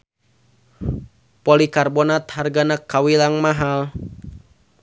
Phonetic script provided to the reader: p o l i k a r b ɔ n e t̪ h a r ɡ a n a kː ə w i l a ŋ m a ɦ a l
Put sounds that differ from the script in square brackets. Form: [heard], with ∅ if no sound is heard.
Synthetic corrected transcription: p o l i k a r b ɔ n [a] t̪ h a r ɡ a n a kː [a] w i l a ŋ m a ɦ a l